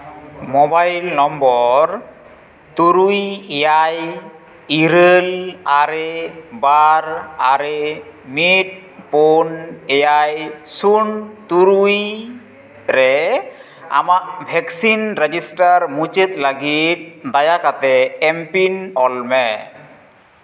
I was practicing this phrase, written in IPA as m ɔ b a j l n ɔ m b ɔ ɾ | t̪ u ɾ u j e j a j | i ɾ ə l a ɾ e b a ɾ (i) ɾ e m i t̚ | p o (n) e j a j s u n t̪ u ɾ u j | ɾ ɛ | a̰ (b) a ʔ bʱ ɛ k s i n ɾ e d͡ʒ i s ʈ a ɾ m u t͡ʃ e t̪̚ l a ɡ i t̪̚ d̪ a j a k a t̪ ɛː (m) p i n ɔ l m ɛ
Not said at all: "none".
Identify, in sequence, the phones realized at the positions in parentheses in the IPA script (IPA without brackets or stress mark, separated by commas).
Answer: a, n, m, m